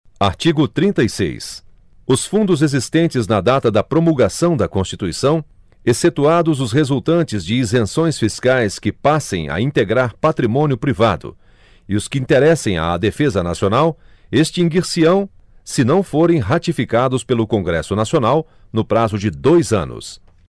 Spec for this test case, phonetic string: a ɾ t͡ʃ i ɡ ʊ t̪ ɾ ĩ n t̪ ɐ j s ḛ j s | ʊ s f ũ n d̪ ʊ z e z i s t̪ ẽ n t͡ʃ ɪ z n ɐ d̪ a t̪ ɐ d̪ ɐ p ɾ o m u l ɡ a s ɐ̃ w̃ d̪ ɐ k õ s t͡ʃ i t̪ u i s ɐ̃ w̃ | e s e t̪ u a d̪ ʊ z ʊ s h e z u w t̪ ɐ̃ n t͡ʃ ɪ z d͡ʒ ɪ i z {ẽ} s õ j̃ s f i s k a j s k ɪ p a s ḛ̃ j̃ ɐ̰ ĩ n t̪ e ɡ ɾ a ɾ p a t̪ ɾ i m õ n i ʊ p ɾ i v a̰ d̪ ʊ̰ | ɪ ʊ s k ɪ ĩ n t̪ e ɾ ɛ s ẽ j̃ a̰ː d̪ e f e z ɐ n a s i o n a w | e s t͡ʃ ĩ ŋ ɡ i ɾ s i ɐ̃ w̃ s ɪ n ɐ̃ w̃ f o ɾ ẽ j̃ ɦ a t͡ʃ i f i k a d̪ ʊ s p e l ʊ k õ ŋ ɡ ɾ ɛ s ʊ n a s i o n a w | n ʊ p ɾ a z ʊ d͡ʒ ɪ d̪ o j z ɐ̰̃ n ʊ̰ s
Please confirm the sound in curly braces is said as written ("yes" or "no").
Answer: yes